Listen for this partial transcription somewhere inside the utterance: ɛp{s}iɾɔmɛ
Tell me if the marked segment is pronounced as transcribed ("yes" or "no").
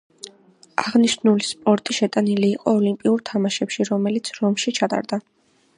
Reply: no